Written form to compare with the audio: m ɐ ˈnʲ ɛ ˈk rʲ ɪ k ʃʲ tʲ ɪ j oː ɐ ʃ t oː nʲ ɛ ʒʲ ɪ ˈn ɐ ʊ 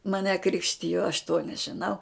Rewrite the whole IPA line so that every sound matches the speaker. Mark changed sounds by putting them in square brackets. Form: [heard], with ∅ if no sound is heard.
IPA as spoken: m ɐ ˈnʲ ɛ ˈk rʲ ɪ k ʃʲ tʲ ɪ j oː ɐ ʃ t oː nʲ ɛ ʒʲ ɪ ˈn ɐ ʊ